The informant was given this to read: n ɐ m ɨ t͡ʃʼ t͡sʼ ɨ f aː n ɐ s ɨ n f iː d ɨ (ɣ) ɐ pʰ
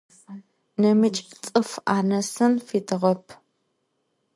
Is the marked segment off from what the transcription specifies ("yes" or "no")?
yes